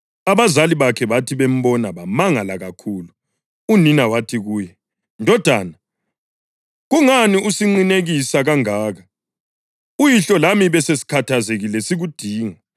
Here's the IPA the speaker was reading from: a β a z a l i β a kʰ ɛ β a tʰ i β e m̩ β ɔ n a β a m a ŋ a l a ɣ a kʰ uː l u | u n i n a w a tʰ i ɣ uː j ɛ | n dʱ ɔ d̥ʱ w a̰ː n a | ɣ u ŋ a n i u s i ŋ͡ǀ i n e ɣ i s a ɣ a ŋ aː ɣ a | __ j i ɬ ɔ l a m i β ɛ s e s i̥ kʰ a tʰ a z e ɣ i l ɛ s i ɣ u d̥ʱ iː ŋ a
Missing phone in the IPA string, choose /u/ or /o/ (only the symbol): u